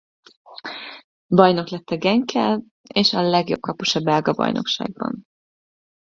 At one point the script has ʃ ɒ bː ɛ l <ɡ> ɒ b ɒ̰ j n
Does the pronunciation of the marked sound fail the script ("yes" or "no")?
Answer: no